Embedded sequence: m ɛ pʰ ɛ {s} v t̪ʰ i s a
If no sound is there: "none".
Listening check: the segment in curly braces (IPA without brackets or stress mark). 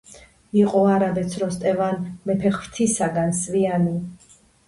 χ